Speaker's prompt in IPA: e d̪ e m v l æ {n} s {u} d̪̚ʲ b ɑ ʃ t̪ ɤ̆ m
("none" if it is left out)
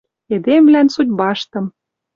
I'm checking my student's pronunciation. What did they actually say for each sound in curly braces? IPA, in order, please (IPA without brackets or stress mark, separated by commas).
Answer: n, u